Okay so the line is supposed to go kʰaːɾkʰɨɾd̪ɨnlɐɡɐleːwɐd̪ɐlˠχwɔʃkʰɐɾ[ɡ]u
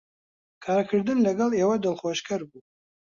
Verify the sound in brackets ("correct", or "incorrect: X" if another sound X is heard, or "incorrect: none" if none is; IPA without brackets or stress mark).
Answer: incorrect: b